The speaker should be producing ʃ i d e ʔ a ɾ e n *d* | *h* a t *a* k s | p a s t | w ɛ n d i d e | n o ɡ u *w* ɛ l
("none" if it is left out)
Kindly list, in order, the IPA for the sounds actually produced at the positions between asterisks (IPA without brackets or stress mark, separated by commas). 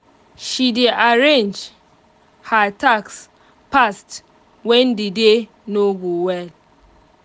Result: d͡ʒ, h, a, w